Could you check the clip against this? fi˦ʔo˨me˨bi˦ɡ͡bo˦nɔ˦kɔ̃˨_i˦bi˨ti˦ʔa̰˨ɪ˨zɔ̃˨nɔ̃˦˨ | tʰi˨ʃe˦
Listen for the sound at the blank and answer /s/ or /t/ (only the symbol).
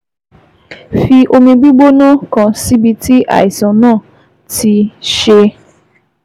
s